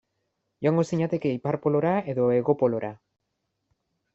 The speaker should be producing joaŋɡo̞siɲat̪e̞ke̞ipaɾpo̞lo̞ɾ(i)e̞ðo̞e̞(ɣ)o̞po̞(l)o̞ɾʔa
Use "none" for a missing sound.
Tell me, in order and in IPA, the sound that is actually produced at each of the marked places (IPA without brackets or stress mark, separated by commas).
a, ɣ, l